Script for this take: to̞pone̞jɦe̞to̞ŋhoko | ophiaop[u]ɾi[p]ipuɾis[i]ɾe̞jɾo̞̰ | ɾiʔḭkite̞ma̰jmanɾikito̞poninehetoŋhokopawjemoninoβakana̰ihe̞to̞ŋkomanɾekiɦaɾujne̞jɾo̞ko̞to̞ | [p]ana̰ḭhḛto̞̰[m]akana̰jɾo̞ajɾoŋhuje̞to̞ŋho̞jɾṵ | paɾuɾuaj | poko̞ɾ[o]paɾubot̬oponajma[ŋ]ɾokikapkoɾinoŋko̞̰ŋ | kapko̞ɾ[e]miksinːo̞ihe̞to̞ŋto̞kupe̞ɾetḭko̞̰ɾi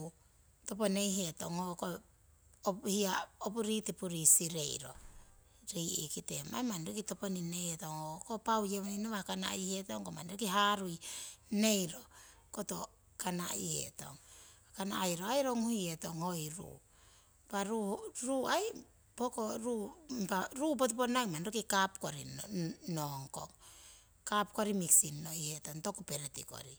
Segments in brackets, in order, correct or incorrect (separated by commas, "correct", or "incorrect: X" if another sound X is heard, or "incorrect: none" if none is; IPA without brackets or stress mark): correct, incorrect: t, correct, incorrect: k, incorrect: ŋ, incorrect: u, incorrect: n, incorrect: i